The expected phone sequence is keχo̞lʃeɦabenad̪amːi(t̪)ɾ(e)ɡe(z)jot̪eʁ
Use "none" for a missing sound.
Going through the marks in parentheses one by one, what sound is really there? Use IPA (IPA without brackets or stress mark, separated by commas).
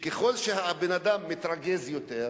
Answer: t̪, a, z